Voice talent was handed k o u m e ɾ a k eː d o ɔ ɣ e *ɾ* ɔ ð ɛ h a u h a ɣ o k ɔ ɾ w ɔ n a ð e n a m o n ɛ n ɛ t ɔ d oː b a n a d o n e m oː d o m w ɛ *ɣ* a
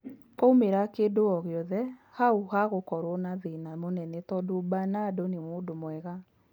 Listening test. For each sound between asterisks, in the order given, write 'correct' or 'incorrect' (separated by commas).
incorrect, correct